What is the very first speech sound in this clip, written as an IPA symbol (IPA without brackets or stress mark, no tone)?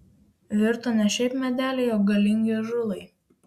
ʋʲ